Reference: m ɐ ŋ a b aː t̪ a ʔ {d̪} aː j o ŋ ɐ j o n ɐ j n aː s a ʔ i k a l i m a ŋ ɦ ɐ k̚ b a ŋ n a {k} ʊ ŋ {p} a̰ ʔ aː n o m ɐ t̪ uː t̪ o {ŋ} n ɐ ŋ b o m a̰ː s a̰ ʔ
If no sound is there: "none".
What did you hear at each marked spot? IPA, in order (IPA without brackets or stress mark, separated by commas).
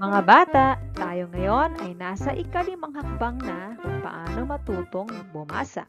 t̪, k, p, ŋ